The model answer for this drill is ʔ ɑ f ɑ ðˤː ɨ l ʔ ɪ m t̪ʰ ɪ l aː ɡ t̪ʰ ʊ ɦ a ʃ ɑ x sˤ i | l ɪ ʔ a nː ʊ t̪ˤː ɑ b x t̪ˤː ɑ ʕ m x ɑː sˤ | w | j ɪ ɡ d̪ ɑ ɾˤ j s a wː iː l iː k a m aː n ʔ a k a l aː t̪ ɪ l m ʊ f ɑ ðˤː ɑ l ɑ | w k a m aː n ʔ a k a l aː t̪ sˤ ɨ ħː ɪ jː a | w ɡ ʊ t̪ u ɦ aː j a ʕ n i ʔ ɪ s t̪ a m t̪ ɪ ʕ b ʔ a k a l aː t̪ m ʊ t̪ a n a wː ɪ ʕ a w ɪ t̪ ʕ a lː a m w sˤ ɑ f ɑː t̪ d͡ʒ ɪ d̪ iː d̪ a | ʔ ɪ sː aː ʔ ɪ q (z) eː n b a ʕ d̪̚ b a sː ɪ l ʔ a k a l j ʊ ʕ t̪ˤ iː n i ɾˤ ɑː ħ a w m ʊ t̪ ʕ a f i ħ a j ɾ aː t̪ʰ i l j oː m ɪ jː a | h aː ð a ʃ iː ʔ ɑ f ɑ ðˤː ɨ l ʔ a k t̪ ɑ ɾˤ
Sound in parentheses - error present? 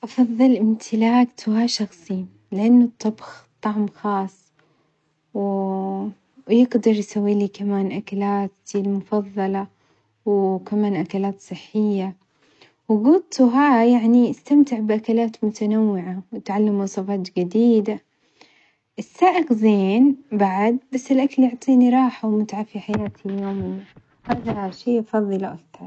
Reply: no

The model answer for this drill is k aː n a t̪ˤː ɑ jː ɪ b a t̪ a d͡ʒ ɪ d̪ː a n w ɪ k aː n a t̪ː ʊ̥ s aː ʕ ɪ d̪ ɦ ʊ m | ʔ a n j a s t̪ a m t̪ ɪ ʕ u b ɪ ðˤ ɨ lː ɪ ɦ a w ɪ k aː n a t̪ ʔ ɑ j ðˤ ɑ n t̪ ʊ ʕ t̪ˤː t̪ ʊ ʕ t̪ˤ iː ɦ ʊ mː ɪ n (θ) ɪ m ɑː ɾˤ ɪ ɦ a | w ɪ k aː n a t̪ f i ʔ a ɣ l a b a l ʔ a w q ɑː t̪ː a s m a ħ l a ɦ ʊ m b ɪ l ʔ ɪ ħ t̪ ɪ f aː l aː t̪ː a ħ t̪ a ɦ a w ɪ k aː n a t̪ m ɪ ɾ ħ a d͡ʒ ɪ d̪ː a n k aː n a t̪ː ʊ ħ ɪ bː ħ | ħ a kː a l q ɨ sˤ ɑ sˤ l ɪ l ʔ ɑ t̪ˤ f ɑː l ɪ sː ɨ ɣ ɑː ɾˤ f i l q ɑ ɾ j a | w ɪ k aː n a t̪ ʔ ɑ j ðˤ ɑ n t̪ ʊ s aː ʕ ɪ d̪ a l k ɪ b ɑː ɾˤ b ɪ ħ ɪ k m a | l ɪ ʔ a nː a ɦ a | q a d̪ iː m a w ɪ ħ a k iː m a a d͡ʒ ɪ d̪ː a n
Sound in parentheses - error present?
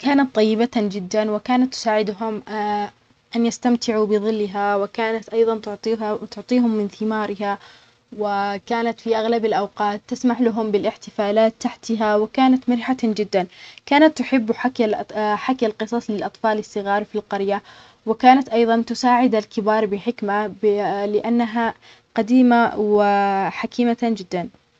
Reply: no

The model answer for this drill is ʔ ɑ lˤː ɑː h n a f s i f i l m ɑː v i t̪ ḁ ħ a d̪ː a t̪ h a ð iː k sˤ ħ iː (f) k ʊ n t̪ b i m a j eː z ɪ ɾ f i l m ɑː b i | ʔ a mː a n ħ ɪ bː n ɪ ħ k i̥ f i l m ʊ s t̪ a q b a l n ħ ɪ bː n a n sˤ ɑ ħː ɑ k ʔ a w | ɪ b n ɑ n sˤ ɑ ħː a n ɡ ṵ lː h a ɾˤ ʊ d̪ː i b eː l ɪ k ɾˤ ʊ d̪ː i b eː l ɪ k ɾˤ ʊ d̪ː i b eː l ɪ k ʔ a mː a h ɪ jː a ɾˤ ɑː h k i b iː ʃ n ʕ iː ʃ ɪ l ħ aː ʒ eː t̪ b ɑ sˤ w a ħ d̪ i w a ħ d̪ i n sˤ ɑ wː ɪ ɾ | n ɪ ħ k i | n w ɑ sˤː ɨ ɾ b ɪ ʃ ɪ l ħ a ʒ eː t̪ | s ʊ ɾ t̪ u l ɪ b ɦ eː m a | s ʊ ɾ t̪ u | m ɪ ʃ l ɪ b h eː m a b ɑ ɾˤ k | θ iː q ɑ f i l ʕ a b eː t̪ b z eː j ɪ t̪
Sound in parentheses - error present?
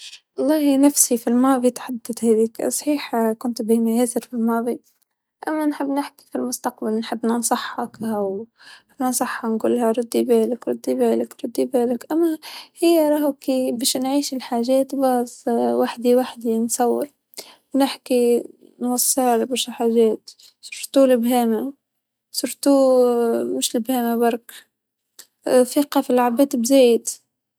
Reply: yes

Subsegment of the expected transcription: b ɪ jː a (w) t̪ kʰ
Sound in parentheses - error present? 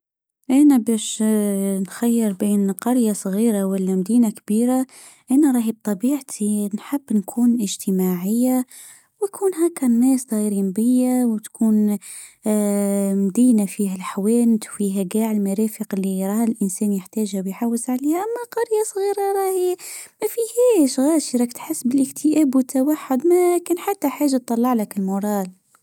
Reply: no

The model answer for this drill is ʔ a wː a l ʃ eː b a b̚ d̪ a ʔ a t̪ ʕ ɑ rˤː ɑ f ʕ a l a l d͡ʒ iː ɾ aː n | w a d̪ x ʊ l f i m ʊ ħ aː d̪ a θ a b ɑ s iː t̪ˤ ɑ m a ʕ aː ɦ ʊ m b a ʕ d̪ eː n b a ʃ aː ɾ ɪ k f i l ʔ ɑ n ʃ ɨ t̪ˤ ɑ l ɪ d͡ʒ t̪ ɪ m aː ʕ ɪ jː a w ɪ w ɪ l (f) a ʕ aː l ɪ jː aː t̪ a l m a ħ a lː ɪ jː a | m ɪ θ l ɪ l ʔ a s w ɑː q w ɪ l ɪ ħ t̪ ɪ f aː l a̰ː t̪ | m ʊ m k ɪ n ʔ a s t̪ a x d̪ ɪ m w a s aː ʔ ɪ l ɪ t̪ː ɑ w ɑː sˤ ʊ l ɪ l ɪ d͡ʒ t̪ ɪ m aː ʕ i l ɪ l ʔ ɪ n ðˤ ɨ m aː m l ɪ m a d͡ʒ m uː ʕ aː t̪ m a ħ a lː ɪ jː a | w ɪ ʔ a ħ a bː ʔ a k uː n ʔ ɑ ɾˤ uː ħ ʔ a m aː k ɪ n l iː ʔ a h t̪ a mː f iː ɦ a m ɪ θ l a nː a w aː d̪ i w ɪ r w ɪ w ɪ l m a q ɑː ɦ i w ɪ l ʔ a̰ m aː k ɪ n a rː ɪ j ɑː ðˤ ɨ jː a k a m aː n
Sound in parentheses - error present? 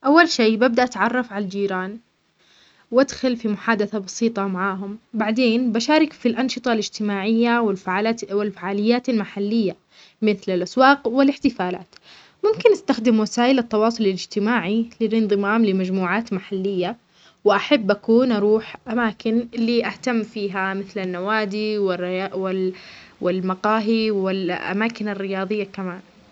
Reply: no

